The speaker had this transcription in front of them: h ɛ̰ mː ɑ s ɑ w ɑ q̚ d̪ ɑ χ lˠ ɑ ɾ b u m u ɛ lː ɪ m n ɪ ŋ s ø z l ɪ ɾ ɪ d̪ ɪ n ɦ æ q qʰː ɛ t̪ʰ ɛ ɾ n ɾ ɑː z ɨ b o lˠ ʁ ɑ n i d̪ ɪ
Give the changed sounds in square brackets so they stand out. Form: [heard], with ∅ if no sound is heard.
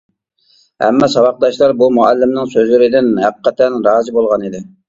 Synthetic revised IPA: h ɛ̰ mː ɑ s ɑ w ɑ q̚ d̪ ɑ [ʃ] lˠ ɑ ɾ b u m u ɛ lː ɪ m n ɪ ŋ s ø z l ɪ ɾ ɪ d̪ ɪ n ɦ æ q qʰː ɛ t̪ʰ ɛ [∅] n ɾ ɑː z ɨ b o lˠ ʁ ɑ n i d̪ ɪ